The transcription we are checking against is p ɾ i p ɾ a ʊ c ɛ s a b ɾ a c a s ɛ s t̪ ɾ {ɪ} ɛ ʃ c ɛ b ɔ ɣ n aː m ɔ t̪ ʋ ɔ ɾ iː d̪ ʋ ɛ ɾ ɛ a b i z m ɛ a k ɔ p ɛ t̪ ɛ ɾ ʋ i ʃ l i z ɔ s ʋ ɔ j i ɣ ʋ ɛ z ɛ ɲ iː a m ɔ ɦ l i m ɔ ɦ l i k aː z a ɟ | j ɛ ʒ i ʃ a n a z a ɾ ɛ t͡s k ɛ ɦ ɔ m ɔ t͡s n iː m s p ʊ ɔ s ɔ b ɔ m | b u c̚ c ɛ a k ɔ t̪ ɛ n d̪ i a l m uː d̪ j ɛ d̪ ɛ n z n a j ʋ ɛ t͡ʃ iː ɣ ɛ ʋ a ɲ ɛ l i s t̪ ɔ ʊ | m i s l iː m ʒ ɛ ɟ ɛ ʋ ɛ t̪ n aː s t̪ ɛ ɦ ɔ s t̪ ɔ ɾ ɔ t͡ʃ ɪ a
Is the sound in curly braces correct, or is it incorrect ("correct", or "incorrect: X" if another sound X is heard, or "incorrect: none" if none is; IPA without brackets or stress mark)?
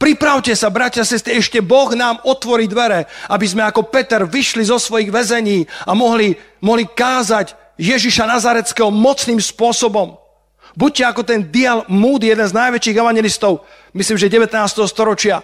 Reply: incorrect: i